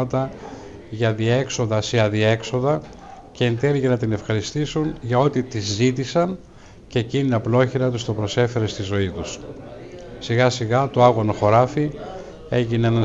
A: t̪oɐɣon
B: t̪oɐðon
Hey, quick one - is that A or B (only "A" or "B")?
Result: A